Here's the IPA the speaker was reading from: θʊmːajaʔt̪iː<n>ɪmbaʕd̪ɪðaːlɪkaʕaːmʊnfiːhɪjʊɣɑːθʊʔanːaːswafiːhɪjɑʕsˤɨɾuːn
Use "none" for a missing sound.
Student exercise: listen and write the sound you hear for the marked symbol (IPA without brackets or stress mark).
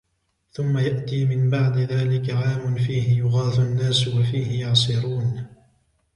m